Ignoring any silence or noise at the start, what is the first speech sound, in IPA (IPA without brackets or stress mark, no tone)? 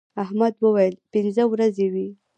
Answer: a